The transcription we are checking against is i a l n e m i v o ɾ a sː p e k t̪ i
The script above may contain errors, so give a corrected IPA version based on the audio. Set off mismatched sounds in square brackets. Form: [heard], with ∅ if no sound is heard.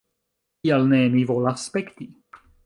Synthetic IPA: i a l n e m i v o [l] a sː p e k t̪ i